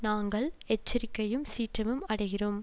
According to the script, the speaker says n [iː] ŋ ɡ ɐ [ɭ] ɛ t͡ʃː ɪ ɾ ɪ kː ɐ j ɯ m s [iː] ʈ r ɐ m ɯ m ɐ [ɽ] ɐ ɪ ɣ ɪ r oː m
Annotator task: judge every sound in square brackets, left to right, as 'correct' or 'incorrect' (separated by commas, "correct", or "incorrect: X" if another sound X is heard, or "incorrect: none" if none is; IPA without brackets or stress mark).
incorrect: aː, correct, correct, correct